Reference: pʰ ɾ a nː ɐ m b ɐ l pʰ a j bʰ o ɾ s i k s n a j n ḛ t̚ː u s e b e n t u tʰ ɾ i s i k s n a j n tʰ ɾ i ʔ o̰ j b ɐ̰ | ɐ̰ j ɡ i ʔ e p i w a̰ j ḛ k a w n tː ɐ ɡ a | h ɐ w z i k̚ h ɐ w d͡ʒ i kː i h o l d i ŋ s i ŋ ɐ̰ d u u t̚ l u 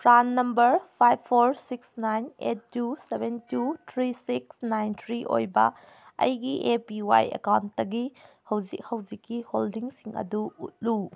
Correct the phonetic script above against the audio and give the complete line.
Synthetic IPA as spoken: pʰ ɾ a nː ɐ m b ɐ ɾ pʰ a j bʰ o ɾ s i k s n a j n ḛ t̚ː u s e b e n t u tʰ ɾ i s i k s n a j n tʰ ɾ i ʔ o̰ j b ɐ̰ | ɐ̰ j ɡ i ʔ e p i w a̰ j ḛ k a w n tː ɐ ɡ i | h ɐ w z i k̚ h ɐ w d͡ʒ i kː i h o l d i ŋ s i ŋ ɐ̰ d u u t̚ l u